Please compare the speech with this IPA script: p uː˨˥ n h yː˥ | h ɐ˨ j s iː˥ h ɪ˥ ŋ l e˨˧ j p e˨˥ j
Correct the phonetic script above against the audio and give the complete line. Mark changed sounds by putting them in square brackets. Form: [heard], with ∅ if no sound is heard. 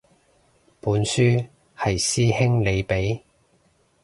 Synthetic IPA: p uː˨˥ n [s] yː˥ | h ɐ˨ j s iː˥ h ɪ˥ ŋ l e˨˧ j p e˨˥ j